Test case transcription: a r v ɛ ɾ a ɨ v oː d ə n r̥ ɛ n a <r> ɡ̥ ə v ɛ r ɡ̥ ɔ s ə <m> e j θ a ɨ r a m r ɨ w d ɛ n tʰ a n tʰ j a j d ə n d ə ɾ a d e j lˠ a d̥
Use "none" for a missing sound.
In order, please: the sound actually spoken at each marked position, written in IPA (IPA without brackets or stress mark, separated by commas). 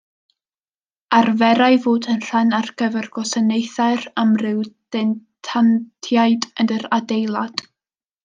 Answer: r, n